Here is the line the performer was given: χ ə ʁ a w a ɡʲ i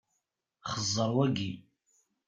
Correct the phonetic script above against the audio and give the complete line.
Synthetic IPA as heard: χ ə z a w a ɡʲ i